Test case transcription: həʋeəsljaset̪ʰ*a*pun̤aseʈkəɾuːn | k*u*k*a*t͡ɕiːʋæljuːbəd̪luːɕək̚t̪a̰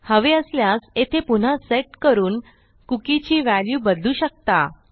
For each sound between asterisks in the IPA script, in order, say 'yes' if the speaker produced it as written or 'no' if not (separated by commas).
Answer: no, yes, no